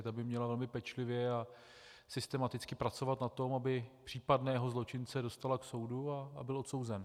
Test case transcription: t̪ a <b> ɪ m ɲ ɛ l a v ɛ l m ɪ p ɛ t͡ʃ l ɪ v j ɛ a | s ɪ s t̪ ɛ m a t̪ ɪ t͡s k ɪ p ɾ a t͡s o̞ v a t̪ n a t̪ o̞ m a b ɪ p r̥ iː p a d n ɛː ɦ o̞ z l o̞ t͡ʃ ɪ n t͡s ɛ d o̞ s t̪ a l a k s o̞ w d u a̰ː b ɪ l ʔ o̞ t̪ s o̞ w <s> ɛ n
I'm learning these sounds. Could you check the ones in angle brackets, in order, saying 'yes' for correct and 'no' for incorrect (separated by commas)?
yes, no